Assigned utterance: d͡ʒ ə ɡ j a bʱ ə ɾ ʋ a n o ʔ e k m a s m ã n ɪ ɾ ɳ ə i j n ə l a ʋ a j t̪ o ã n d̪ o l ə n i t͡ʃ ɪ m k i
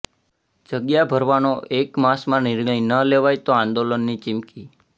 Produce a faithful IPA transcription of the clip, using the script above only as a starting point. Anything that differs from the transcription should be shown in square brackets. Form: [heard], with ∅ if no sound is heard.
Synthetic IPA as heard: d͡ʒ ə ɡ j a bʱ ə ɾ ʋ a n o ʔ e k m a s m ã n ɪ ɾ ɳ ə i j n ə l [e] ʋ a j t̪ o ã n d̪ o l ə [nː] i t͡ʃ ɪ m k i

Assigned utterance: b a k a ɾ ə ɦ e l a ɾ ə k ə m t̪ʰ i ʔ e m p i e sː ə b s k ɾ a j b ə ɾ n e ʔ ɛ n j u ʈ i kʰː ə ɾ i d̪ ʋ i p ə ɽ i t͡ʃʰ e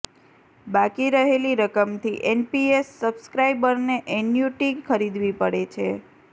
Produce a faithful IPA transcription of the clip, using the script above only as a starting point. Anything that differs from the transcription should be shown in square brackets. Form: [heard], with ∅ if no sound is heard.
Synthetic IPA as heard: b a k [i] ɾ ə ɦ e l [i] ɾ ə k ə m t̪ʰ i ʔ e [n] p i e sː ə b s k ɾ a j b ə ɾ n e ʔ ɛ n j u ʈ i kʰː ə ɾ i d̪ ʋ i p ə ɽ [e] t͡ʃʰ e

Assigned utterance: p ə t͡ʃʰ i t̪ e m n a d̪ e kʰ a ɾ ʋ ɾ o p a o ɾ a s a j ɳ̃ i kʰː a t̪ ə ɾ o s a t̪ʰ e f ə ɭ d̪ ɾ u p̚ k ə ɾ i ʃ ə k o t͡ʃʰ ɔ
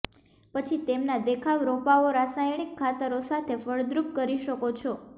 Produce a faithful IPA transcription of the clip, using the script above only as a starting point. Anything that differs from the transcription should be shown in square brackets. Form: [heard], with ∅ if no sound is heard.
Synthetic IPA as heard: p ə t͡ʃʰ i t̪ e m n a d̪ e kʰ a [∅] ʋ ɾ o p a o ɾ a s a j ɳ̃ i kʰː a t̪ ə ɾ o s a t̪ʰ e f ə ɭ d̪ ɾ u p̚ k ə ɾ i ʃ ə k o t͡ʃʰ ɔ

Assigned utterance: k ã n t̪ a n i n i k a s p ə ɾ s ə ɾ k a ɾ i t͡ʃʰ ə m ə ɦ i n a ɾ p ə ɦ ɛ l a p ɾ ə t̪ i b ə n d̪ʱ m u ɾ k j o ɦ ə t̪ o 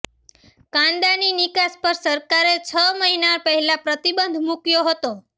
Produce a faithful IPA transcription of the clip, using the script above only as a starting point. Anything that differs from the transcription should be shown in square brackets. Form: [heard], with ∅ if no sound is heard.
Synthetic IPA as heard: k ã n [d̪] a n i n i k a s p ə ɾ s ə ɾ k a ɾ [e] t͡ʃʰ ə m ə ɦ i n a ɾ p ə ɦ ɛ l a p ɾ ə t̪ i b ə n d̪ʱ m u [∅] k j o ɦ ə t̪ o

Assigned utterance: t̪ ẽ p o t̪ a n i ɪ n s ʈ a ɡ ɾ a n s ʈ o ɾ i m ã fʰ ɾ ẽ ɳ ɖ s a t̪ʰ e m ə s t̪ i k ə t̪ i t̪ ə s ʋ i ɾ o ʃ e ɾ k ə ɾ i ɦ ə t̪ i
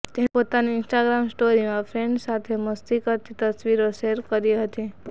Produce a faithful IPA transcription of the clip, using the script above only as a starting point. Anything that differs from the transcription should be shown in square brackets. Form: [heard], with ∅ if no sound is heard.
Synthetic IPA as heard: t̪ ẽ p o t̪ a n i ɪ n s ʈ a ɡ ɾ a [m] s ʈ o ɾ i m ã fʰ ɾ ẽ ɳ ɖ s a t̪ʰ e m ə s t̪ i k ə t̪ i t̪ ə s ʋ i ɾ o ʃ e ɾ k ə ɾ i ɦ ə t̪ i

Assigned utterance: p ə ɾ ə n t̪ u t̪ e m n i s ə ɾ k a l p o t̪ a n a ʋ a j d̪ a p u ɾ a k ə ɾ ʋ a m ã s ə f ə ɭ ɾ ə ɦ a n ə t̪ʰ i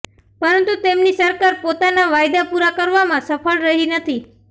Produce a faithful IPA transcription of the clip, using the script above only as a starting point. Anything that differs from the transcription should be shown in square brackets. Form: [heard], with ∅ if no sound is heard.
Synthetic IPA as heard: p ə ɾ ə n t̪ u t̪ e m n i s ə ɾ k a [ɾ] p o t̪ a n a ʋ a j d̪ a p u ɾ a k ə ɾ ʋ a m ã s ə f ə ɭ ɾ ə ɦ [i] n ə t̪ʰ i

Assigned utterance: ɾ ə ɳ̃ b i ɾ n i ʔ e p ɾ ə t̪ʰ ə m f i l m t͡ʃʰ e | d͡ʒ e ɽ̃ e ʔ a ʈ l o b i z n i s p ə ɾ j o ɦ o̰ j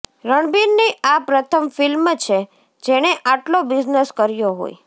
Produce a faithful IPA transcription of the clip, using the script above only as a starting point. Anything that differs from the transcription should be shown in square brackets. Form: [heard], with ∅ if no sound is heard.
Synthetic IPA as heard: ɾ ə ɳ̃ b i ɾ n i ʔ [a] p ɾ ə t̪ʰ ə m f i l m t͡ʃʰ e | d͡ʒ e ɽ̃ e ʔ a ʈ l o b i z n [e] s [k] ə ɾ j o ɦ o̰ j

